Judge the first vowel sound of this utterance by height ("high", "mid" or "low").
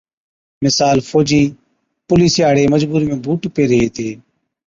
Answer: high